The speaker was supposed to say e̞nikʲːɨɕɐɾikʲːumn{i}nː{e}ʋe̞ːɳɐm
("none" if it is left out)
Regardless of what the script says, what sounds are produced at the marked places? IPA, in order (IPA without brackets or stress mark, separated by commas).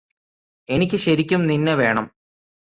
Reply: i, e